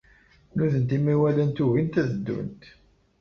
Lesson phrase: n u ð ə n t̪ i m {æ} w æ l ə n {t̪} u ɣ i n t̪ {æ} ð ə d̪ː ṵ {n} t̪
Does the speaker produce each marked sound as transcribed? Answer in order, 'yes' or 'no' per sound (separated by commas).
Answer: no, yes, yes, yes